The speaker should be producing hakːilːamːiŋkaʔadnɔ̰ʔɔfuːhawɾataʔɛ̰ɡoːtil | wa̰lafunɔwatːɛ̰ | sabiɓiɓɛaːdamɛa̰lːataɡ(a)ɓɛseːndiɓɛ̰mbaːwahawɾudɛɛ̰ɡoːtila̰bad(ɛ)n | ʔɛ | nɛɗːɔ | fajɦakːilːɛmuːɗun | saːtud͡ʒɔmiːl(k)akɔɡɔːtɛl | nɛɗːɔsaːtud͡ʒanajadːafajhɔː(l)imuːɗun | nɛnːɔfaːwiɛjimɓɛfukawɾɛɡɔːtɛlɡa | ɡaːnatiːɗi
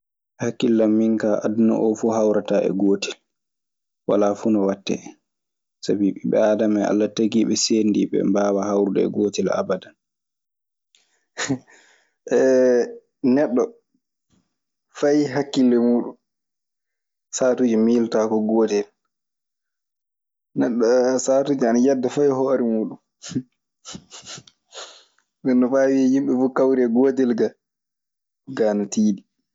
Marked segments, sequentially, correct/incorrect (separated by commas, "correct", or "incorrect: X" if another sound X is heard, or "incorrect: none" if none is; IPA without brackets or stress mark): incorrect: i, incorrect: a, incorrect: t, incorrect: ɾ